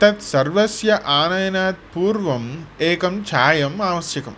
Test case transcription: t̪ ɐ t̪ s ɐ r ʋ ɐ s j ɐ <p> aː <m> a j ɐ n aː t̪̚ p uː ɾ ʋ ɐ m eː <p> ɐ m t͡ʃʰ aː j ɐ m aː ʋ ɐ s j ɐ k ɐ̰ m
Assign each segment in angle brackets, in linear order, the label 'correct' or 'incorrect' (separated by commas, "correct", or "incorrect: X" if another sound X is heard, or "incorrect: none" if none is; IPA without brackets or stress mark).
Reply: incorrect: ʔ, incorrect: n, incorrect: k